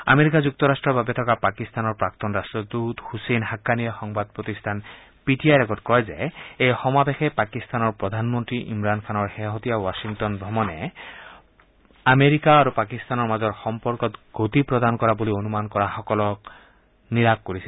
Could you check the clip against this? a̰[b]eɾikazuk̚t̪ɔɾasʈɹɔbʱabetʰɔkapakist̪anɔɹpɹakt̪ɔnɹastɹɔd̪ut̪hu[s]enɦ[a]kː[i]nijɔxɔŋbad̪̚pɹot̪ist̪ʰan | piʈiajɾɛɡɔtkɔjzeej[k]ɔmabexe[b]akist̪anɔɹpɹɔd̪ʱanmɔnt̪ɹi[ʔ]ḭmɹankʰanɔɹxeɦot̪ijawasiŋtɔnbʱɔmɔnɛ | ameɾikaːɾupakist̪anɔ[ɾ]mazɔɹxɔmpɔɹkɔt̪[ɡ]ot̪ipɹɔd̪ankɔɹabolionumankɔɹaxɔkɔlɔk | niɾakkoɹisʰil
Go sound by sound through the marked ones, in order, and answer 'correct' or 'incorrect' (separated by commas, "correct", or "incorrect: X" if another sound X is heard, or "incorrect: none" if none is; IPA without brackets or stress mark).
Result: incorrect: m, correct, correct, incorrect: a, incorrect: x, incorrect: p, correct, incorrect: ɹ, correct